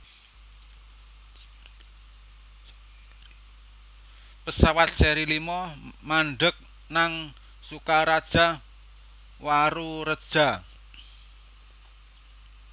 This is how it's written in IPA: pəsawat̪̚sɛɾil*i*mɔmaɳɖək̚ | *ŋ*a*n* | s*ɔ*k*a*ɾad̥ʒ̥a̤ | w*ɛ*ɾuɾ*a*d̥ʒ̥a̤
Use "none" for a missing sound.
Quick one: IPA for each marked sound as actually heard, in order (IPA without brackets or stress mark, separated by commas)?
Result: i, n, ŋ, u, a, a, ə